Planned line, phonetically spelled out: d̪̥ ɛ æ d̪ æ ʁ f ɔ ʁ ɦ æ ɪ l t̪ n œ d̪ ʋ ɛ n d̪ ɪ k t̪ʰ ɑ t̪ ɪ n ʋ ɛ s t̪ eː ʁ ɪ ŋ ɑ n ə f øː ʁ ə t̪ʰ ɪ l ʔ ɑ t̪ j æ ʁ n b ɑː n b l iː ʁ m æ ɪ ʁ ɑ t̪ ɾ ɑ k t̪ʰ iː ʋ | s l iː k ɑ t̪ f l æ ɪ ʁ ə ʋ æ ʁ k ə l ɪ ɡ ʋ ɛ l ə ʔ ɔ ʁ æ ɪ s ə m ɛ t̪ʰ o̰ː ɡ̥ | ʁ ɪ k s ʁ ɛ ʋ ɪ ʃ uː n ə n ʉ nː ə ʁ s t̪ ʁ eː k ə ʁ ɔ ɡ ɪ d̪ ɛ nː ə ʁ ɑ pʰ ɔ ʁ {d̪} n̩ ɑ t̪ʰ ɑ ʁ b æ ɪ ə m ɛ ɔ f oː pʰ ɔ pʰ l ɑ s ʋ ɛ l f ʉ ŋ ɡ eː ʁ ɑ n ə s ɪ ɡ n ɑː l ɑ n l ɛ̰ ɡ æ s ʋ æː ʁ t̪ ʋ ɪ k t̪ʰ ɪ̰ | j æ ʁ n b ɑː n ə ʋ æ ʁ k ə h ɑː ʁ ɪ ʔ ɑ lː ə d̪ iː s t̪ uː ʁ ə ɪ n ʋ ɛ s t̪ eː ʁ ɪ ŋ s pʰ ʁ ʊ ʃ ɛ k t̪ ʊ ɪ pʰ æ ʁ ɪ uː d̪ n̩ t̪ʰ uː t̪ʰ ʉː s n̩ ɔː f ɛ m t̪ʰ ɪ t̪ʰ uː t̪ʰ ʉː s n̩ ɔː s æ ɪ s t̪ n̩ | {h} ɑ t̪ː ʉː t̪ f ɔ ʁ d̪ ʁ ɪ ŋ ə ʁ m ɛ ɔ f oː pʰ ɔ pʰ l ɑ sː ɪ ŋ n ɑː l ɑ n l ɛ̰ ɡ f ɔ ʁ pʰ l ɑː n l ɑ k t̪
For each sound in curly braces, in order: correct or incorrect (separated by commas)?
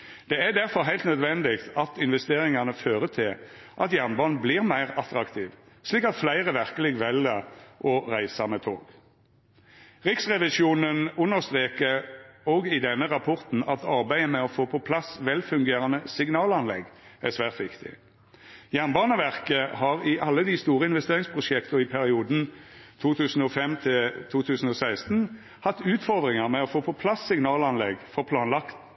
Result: incorrect, correct